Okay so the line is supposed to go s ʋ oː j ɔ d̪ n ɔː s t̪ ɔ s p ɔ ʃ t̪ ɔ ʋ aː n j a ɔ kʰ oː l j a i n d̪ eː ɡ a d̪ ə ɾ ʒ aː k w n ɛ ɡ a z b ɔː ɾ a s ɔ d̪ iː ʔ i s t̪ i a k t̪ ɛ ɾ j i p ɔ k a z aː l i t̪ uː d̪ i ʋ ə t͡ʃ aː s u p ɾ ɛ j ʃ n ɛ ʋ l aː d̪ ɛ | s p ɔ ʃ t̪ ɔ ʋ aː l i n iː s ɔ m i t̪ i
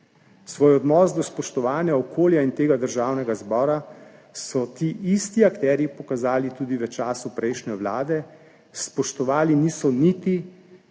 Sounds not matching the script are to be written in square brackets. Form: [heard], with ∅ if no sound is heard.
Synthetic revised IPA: s ʋ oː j ɔ d̪ n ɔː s [d̪] ɔ s p ɔ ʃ t̪ ɔ ʋ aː n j a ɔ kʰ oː l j a i n [t̪] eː ɡ a d̪ ə ɾ ʒ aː [∅] w n ɛ ɡ a z b ɔː ɾ a s ɔ [t̪] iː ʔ i s t̪ i a k t̪ ɛ ɾ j i p ɔ k a z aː l i t̪ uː d̪ i ʋ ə t͡ʃ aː s u p ɾ ɛ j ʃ n ɛ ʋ l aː d̪ ɛ | s p ɔ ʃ t̪ ɔ ʋ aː l i n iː s ɔ [n] i t̪ i